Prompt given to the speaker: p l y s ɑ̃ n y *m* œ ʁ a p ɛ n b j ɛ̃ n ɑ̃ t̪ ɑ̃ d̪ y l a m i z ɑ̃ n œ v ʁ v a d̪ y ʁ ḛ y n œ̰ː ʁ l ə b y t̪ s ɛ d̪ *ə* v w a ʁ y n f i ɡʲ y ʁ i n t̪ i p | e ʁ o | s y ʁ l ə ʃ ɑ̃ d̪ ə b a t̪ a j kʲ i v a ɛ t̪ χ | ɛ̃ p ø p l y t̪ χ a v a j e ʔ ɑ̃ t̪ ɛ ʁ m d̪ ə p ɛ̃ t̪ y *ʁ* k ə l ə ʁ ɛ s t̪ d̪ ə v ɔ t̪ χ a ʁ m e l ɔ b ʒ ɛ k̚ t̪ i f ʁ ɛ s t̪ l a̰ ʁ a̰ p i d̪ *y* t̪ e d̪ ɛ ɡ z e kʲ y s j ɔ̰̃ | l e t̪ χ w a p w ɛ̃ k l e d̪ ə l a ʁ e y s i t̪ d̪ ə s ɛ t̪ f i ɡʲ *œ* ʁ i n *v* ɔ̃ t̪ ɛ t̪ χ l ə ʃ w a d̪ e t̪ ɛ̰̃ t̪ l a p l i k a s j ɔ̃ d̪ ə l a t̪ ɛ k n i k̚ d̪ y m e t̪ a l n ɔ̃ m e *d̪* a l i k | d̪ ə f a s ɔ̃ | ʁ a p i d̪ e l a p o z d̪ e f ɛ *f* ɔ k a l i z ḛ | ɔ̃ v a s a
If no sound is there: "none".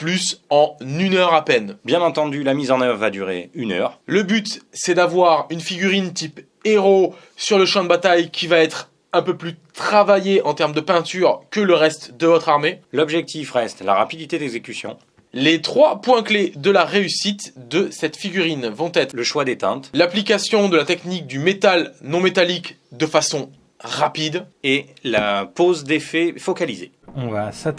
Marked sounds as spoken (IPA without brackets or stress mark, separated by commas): n, a, ʁ, i, y, v, t̪, f